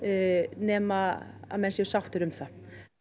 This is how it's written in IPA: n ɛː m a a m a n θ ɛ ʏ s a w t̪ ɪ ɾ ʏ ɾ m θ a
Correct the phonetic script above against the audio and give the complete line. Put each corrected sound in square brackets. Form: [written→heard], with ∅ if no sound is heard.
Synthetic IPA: n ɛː m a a m [a→ɛ] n [θ→s] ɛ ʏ s a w t̪ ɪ ɾ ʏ [ɾ→∅] m θ a